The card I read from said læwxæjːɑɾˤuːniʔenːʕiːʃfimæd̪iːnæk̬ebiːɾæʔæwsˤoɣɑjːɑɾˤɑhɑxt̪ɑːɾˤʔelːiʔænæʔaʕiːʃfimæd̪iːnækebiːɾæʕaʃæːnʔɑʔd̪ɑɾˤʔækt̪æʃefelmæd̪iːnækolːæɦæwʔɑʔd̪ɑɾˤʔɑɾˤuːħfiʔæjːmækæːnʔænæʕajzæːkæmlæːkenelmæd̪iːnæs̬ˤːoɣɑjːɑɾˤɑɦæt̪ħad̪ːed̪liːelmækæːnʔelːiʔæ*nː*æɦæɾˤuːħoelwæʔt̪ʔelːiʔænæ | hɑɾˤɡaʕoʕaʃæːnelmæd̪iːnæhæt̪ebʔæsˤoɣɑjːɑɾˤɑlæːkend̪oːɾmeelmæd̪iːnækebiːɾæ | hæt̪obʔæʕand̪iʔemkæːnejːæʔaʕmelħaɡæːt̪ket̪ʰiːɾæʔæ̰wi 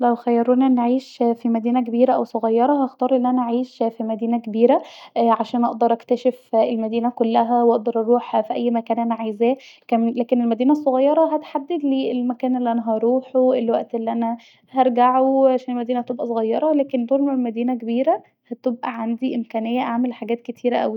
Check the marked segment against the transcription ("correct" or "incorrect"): incorrect